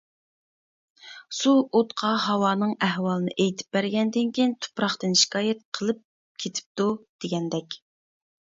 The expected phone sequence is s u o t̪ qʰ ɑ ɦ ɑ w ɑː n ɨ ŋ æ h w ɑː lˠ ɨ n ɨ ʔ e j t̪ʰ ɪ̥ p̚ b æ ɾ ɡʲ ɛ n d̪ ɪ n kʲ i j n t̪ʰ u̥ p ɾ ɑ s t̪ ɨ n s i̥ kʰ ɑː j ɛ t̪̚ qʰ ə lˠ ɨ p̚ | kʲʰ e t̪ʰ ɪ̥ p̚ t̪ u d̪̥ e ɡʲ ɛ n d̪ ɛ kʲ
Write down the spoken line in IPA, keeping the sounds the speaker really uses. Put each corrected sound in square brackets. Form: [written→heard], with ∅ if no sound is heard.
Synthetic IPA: s u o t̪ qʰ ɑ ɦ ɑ w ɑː n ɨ ŋ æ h w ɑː lˠ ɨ n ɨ ʔ e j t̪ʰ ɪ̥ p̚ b æ ɾ ɡʲ ɛ n d̪ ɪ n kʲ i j n t̪ʰ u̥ p ɾ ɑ [s→χ] t̪ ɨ n [s→ʃ] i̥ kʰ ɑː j ɛ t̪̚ qʰ ə lˠ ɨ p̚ | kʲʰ e t̪ʰ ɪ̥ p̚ t̪ u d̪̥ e ɡʲ ɛ n d̪ ɛ kʲ